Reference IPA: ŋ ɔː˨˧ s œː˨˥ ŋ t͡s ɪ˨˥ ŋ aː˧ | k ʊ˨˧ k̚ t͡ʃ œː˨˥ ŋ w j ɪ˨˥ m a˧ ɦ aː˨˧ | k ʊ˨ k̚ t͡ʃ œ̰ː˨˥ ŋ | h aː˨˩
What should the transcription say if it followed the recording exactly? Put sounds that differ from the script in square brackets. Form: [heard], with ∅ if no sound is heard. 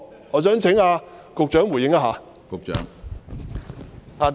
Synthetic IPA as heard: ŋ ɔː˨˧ s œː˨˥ ŋ [t͡sʰ] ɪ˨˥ ŋ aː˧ | k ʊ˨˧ k̚ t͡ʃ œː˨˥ ŋ w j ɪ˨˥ [ŋ] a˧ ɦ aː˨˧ | k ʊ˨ k̚ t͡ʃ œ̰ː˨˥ ŋ | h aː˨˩